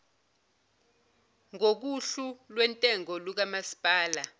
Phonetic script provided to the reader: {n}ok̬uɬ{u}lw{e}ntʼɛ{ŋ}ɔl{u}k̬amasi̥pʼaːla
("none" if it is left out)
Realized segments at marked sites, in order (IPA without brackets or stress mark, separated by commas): ŋ, u, ɛ, ŋ, u